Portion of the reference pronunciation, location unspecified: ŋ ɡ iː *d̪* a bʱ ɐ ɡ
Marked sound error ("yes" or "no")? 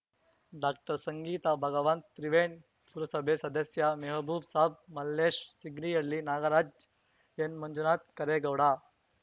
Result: yes